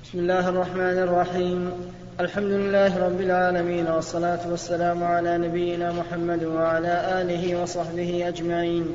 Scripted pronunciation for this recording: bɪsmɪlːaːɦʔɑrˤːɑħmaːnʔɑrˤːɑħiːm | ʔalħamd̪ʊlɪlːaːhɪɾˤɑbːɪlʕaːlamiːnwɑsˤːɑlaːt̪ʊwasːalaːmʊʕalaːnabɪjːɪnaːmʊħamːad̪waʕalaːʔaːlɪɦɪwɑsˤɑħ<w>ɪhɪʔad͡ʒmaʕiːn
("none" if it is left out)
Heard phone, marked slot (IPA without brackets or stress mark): b